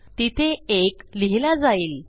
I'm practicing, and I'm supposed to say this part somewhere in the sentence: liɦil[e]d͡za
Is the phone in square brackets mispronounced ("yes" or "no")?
yes